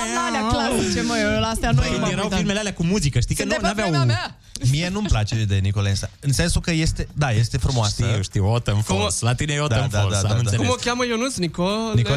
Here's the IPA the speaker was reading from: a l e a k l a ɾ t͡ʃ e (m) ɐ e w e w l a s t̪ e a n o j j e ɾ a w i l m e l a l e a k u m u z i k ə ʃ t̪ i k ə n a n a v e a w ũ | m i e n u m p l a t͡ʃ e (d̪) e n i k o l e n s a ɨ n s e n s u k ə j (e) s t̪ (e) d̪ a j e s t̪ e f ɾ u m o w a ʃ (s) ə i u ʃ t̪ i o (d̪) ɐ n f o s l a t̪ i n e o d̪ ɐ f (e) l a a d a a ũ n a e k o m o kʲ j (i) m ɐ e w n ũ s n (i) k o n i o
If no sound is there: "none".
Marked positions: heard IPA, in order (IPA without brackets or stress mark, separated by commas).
m, d̪, e, e, s, t̪, a, a, i